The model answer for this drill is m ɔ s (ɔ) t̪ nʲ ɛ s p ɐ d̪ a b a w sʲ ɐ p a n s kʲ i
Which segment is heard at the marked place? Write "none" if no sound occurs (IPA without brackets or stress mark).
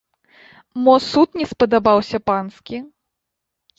u